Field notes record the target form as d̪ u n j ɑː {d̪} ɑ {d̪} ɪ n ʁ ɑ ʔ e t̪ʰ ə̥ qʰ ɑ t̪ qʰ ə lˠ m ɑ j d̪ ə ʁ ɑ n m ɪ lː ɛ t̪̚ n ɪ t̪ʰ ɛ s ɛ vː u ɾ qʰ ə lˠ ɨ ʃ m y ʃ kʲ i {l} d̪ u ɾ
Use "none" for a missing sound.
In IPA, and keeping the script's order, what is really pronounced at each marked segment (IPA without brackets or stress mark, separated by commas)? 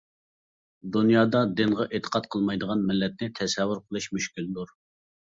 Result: d̪, d̪, l